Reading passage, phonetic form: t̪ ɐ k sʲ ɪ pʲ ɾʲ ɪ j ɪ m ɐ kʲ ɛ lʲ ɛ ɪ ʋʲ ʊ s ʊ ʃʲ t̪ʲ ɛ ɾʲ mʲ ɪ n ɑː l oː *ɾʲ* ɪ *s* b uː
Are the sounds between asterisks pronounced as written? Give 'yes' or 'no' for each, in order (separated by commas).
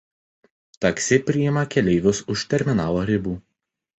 yes, no